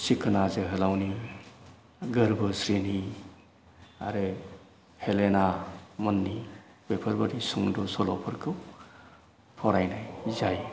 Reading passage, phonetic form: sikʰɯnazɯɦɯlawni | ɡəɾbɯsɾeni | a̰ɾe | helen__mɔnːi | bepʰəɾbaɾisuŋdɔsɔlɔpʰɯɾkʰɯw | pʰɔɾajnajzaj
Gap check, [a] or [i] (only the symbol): a